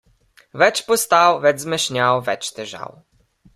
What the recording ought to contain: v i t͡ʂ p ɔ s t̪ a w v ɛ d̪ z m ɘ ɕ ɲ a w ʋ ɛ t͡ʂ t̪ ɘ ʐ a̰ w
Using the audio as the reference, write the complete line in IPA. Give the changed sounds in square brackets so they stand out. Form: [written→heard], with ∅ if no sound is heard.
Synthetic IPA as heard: v [i→ɛ] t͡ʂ p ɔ s t̪ a w v ɛ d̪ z m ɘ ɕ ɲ a w [ʋ→v] ɛ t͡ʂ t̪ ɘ ʐ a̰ w